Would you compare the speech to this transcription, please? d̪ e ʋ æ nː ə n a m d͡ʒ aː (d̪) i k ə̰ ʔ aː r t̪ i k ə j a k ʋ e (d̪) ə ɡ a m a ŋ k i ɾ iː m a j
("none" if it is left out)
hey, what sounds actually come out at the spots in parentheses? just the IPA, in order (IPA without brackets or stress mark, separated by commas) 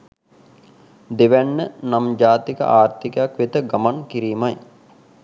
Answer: t̪, t̪